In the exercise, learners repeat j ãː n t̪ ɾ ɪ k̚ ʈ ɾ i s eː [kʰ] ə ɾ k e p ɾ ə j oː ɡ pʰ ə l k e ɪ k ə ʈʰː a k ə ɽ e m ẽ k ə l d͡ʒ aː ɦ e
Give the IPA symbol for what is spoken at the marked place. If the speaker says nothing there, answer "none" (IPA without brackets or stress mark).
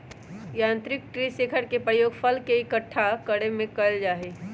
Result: kʰ